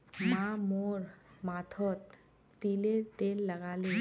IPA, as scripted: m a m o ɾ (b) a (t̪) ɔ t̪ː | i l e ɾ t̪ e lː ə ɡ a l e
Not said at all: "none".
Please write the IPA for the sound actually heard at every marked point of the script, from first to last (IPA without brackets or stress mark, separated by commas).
m, t̪ʰ